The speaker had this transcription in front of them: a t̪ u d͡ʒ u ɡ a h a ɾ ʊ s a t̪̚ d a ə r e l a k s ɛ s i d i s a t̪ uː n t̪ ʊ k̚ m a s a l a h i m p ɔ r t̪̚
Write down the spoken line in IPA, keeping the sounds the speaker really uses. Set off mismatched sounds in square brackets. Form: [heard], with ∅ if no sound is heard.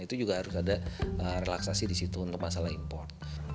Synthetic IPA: [i] t̪ u d͡ʒ u ɡ a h a ɾ ʊ s a [∅] d a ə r e l a k s [a] s i d i s [i] t̪ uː n t̪ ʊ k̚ m a s a l a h i m p ɔ r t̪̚